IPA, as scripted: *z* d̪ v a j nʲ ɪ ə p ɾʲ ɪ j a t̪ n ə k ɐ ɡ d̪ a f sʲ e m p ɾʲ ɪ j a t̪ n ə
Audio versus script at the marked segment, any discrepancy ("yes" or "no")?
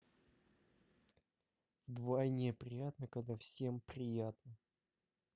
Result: yes